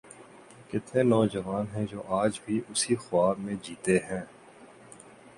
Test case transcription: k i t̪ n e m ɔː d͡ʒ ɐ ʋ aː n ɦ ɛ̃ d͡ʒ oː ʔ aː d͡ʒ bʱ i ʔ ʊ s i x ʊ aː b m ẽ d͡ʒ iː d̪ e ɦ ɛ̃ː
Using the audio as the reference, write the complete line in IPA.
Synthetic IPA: k ɪ t̪ n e n ɔː d͡ʒ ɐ ʋ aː n ɦ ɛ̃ d͡ʒ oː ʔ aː d͡ʒ bʱ i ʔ ʊ s i x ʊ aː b m ẽ d͡ʒ iː t̪ e ɦ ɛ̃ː

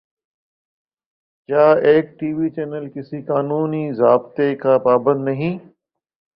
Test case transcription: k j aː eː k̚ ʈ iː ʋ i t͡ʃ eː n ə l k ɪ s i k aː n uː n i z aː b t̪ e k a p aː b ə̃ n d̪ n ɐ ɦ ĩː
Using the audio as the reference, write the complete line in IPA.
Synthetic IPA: k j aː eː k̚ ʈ iː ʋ i t͡ʃ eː n ə l k ɪ s i k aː n uː n i z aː b t̪ e k a p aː b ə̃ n d̪ n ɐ ɦ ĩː

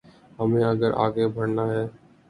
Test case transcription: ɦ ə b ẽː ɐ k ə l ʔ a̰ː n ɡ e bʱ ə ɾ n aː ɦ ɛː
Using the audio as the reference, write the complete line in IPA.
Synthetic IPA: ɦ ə m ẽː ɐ ɡ ə ɾ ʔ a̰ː ɡ e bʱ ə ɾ n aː ɦ ɛː

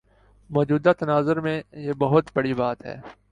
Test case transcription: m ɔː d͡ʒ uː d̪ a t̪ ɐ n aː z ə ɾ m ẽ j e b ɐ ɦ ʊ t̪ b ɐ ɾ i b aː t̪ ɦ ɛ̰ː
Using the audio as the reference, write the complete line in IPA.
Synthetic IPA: m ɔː d͡ʒ uː d̪ a t̪ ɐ n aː z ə ɾ m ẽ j e b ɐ ɦ ʊ t̪ b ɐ ɽ i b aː t̪ ɦ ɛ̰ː

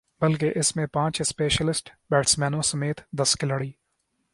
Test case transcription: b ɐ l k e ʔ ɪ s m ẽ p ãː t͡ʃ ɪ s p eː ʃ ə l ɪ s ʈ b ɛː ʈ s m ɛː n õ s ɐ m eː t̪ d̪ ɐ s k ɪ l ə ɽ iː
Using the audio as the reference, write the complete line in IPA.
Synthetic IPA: b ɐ l k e ʔ ɪ s m ẽ p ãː t͡ʃ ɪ s p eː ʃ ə l ɪ s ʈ b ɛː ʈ s m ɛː n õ s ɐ m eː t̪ d̪ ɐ s k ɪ l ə ɽ iː

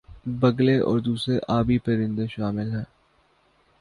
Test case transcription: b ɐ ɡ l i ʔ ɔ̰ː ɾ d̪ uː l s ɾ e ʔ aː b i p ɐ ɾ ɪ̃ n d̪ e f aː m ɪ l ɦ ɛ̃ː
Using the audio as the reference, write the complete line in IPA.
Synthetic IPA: b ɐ ɡ l e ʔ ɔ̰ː ɾ d̪ uː s ɾ e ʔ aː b i p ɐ ɾ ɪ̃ n d̪ e ʃ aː m ɪ l ɦ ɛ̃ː

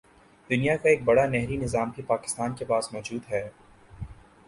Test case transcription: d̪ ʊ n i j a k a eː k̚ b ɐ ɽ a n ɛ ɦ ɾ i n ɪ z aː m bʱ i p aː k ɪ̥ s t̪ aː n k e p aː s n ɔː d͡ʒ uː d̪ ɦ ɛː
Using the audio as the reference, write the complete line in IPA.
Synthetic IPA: d̪ ʊ n i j a k a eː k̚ b ɐ ɽ a n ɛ ɦ ɾ i n ɪ z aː m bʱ i p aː k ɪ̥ s t̪ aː n k e p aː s m ɔː d͡ʒ uː d̪ ɦ ɛː

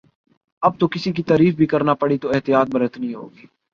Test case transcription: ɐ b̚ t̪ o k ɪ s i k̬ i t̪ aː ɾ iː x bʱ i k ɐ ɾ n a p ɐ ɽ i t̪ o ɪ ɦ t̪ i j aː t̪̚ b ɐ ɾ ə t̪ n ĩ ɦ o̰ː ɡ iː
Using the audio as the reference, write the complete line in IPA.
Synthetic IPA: ɐ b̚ t̪ o k ɪ s i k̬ i t̪ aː ɾ iː f bʱ i k ɐ ɾ n a p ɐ ɽ i t̪ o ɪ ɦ t̪ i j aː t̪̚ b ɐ ɾ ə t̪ n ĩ ɦ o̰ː ɡ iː

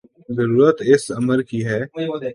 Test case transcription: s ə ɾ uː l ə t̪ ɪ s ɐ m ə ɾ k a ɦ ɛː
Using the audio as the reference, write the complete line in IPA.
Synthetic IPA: z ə ɾ uː ɾ ə t̪ ɪ s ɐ m ə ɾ k i ɦ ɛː

